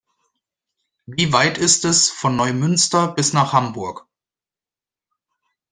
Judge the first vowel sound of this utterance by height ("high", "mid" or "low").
high